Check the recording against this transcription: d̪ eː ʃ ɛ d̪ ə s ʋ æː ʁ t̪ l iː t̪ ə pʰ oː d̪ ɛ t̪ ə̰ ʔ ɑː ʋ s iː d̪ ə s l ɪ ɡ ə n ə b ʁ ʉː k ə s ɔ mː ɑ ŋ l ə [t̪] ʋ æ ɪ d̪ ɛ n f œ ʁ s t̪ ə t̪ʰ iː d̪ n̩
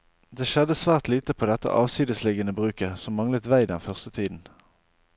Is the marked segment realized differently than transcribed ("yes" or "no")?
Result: no